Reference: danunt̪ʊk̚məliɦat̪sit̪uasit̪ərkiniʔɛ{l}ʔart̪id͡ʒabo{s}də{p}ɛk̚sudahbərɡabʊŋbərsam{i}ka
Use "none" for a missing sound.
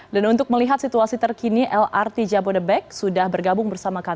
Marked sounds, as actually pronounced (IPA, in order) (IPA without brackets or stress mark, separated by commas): l, none, b, a